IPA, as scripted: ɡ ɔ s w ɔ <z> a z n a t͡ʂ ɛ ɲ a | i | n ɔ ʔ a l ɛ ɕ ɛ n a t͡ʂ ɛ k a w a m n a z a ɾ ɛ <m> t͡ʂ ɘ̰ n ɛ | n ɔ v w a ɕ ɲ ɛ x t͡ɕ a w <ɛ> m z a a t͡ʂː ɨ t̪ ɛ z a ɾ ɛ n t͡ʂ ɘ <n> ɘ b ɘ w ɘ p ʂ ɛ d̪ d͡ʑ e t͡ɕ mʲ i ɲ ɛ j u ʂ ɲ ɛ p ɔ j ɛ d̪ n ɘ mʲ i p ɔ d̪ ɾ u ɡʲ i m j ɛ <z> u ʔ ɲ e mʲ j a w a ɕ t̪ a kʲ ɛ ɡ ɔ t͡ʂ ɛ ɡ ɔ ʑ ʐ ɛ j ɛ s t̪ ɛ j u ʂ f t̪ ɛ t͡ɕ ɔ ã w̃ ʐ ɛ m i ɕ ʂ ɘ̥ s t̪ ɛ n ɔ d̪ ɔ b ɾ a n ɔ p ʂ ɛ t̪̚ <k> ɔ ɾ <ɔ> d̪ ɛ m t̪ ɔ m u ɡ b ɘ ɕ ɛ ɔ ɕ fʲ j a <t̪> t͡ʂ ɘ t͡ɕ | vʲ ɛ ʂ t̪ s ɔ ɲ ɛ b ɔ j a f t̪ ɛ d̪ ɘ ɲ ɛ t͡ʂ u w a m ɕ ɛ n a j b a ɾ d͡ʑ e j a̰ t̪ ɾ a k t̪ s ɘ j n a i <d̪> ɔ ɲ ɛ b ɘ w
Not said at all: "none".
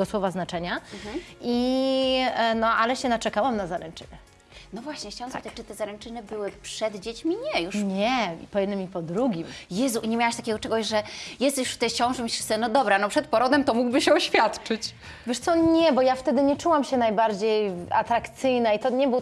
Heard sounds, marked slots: v, n, a, n, z, p, ɔ, t̪, t̪

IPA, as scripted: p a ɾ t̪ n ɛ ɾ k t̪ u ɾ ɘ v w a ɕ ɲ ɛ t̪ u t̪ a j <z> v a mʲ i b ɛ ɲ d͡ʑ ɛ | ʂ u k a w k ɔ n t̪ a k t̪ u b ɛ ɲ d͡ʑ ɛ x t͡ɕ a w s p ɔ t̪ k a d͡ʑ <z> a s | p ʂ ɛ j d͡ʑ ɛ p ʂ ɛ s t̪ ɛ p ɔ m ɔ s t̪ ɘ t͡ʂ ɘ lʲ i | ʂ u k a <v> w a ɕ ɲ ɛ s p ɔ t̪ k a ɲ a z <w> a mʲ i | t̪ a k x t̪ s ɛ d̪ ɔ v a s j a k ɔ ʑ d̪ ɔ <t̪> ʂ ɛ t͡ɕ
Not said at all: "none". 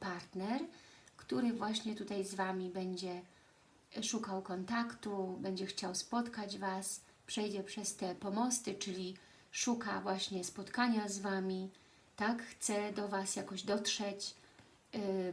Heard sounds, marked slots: z, v, v, v, t̪

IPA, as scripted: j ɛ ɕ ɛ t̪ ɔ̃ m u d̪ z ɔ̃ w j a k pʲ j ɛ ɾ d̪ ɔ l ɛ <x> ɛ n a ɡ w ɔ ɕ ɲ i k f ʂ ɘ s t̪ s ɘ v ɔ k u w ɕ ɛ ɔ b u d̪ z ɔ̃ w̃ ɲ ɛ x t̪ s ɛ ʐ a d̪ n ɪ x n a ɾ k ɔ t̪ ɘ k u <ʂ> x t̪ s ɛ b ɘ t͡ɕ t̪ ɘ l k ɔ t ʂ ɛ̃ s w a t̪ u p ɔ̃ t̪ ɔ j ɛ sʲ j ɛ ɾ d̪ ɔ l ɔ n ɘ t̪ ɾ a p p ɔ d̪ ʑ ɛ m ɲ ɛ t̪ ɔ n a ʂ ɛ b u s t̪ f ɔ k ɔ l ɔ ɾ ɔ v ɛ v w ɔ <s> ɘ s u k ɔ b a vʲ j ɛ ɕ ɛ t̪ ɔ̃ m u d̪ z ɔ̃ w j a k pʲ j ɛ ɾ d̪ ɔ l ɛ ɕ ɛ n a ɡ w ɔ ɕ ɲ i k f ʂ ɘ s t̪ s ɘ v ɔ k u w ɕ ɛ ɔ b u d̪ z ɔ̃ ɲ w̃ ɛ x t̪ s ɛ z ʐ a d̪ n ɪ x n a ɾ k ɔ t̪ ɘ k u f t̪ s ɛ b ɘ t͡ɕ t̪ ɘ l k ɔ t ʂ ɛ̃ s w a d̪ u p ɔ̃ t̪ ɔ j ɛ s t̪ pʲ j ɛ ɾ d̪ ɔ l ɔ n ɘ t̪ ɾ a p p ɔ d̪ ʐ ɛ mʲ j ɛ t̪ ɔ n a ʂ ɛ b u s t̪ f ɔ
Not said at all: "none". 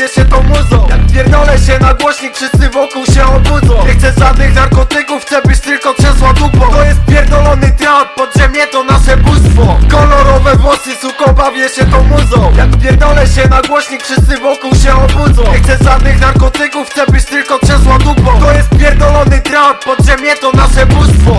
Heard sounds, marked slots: ɕ, f, s

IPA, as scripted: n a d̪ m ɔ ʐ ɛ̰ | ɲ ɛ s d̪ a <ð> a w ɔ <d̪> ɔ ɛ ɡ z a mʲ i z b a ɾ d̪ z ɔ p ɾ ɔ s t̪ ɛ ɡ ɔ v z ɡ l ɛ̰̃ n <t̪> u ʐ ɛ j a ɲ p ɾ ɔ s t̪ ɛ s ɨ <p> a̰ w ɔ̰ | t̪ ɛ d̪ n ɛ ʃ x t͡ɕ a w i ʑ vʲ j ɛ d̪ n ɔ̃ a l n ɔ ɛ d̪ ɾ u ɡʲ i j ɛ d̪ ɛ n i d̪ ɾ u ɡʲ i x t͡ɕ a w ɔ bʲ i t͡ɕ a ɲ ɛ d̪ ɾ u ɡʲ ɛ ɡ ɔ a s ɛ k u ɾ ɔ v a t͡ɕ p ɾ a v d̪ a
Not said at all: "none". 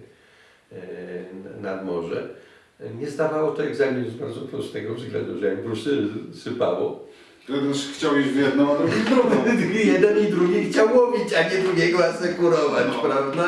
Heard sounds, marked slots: v, t̪, d̪, p

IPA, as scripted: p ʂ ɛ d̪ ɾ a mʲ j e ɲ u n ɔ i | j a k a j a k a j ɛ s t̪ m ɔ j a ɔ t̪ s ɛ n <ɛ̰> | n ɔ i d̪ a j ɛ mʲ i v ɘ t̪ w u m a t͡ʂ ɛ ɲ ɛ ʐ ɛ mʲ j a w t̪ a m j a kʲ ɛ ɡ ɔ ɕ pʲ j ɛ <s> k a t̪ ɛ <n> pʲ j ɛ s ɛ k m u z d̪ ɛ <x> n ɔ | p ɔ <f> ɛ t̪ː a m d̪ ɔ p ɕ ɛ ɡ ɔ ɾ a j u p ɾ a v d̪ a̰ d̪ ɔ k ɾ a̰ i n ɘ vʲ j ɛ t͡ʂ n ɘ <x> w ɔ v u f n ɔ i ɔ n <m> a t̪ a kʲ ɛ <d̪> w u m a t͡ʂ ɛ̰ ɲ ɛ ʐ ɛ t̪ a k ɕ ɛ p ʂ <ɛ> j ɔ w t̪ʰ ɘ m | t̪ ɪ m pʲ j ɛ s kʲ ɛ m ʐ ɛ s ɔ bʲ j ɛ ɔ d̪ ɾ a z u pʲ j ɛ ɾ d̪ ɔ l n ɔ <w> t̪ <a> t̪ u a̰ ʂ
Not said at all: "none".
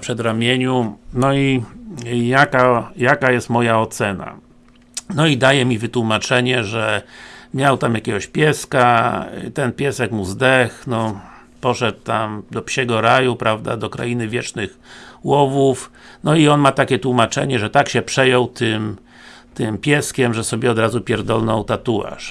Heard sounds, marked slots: a̰, s, n, x, ʂ, x, m, t̪, ɛ, w, a

